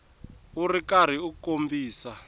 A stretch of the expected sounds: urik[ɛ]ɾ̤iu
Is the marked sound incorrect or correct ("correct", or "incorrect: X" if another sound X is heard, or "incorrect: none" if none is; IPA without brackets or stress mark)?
incorrect: a